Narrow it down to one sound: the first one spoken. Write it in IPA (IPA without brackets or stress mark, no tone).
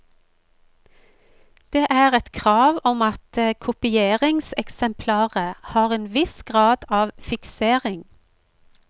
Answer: d̪̥